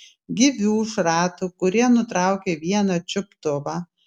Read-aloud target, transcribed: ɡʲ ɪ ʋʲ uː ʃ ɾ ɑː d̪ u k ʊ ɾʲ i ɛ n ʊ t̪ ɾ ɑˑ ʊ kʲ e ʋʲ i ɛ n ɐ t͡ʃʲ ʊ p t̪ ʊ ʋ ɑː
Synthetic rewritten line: ɡʲ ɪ ʋʲ uː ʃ ɾ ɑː t̪ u k ʊ ɾʲ i ɛ n ʊ t̪ ɾ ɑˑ ʊ kʲ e ʋʲ i ɛ n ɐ t͡ʃʲ ʊ p t̪ ʊ ʋ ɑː

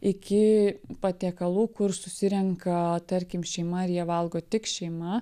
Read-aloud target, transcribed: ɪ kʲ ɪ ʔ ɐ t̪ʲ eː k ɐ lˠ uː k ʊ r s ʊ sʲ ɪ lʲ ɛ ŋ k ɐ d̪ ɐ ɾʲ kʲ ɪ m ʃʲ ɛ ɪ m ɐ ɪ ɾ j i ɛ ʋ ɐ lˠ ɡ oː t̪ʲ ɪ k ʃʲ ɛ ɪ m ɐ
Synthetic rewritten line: ɪ kʲ ɪ p ɐ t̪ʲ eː k ɐ lˠ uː k ʊ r s ʊ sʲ ɪ ɾʲ ɛ ŋ k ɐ t̪ ɐ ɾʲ kʲ ɪ m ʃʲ ɛ ɪ m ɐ ɪ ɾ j i ɛ ʋ ɐ lˠ ɡ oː t̪ʲ ɪ k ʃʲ ɛ ɪ m ɐ

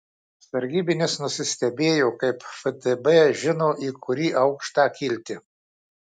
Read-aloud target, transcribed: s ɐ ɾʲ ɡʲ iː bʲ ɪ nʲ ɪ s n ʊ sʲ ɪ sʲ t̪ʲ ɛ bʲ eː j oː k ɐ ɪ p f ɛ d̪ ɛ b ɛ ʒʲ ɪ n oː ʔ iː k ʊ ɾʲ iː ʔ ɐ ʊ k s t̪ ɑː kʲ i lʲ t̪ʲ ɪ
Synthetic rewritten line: s ɐ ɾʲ ɡʲ iː bʲ ɪ nʲ ɪ s n ʊ sʲ ɪ sʲ t̪ʲ ɛ bʲ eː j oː k ɐ ɪ p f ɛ d̪ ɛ b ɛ ʒʲ ɪ n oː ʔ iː k ʊ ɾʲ iː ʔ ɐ ʊ k ʃ t̪ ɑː kʲ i lʲ t̪ʲ ɪ

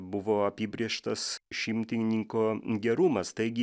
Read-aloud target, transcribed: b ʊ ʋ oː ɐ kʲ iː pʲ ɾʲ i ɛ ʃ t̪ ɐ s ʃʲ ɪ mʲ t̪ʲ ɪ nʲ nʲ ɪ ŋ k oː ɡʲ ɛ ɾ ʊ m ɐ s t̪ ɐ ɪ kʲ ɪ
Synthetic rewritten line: b ʊ ʋ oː ɐ pʲ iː bʲ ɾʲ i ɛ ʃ t̪ ɐ s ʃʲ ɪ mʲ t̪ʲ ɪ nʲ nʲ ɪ ŋ k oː ɡʲ ɛ ɾ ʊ m ɐ s t̪ ɐ ɪ ɡʲ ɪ

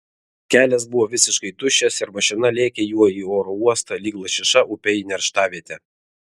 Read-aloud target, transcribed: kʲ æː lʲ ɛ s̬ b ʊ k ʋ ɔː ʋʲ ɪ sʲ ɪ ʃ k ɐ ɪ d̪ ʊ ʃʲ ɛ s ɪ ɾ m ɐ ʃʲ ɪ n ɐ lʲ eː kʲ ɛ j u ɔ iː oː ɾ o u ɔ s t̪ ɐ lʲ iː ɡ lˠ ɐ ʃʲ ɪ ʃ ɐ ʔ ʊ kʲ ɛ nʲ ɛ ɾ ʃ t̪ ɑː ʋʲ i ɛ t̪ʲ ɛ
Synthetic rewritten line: kʲ æː lʲ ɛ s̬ b ʊ ʋ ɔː ʋʲ ɪ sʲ ɪ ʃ k ɐ ɪ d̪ ʊ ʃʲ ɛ s ɪ ɾ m ɐ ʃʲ ɪ n ɐ lʲ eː kʲ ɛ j u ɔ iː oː ɾ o u ɔ s t̪ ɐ lʲ iː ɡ lˠ ɐ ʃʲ ɪ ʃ ɐ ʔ ʊ pʲ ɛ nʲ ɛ ɾ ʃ t̪ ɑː ʋʲ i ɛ t̪ʲ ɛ

